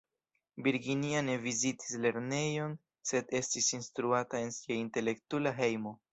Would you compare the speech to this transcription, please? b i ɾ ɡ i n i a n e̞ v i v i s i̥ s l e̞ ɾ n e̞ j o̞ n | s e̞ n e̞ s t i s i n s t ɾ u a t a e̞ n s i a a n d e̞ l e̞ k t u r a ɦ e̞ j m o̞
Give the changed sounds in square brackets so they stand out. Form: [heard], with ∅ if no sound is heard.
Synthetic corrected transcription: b i ɾ ɡ i n i a n e̞ v i [z] i [t] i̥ s l e̞ ɾ n e̞ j o̞ n | s e̞ [d] e̞ s t i s i n s t ɾ u a t a e̞ n s i a [i] n [t] e̞ l e̞ k t u [l] a ɦ e̞ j m o̞